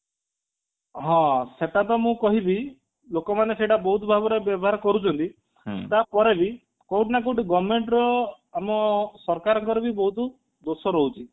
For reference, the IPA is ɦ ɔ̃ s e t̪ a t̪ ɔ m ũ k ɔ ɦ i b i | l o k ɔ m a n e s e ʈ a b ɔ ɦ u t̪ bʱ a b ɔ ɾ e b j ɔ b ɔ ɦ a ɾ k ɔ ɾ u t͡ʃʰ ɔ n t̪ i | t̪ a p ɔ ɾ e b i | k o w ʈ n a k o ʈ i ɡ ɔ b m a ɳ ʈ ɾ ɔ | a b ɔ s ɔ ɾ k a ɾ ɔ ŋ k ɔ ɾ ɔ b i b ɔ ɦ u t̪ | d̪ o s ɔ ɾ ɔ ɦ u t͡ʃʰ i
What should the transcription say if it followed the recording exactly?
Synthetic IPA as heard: ɦ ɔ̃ s e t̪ a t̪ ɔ m ũ k ɔ ɦ i b i | l o k ɔ m a n e s e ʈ a b ɔ ɦ u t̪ bʱ a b ɔ ɾ e b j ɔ b ɔ ɦ a ɾ k ɔ ɾ u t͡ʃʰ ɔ n t̪ i | t̪ a p ɔ ɾ e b i | k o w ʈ n a k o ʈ i ɡ ɔ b m e ɳ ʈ ɾ ɔ | a m ɔ s ɔ ɾ k a ɾ ɔ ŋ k ɔ ɾ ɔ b i b ɔ ɦ u t̪ | d̪ o s ɔ ɾ ɔ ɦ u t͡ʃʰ i

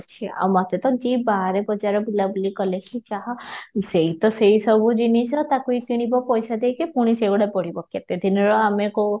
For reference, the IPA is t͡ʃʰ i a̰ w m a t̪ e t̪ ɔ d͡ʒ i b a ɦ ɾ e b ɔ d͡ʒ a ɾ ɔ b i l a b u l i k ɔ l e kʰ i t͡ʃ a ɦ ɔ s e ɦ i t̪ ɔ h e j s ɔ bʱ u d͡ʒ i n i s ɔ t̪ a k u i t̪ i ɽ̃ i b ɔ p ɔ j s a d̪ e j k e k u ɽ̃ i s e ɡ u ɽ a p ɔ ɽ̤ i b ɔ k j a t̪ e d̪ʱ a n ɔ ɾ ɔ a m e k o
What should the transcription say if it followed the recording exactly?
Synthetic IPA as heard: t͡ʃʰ i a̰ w m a t̪ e t̪ ɔ d͡ʒ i b a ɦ ɾ e b ɔ d͡ʒ a ɾ ɔ b i l a b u l i k ɔ l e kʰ i t͡ʃ a ɦ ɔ s e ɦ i t̪ ɔ s e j s ɔ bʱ u d͡ʒ i n i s ɔ t̪ a k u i t̪ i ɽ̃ i b ɔ p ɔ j s a d̪ e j k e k u ɽ̃ i s e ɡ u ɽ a p ɔ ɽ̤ i b ɔ k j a t̪ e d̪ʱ i n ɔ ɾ ɔ a m e k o

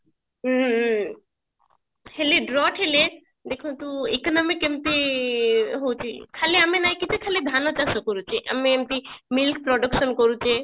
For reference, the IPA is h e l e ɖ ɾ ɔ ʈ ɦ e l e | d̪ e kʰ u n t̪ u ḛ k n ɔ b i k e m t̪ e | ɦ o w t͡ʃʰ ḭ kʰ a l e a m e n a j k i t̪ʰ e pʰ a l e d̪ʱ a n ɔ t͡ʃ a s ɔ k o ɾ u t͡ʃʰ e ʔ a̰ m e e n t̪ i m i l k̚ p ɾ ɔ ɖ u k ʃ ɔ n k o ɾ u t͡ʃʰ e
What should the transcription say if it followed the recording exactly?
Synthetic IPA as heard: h e l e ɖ ɾ ɔ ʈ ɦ e l e | d̪ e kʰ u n t̪ u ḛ k n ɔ m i k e m t̪ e | ɦ o w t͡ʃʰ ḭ kʰ a l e a m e n a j k i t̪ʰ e kʰ a l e d̪ʱ a n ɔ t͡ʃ a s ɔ k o ɾ u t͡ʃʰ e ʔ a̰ m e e m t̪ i m i l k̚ p ɾ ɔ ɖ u k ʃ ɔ n k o ɾ u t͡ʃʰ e

